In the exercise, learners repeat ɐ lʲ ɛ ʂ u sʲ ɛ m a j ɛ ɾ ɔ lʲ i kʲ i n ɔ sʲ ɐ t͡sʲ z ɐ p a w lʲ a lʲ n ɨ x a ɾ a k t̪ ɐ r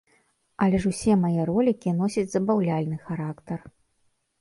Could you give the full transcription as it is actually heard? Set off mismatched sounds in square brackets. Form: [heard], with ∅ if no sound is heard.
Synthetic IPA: ɐ lʲ ɛ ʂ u sʲ ɛ m a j ɛ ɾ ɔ lʲ i kʲ i n ɔ sʲ ɐ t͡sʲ z ɐ [b] a w lʲ a lʲ n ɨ x a ɾ a k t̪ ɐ r